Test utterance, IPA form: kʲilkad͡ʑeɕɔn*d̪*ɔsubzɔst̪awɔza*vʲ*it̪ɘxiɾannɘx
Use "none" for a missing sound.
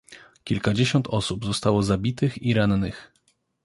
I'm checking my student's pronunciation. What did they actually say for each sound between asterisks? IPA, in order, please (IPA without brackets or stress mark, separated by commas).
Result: t̪, bʲ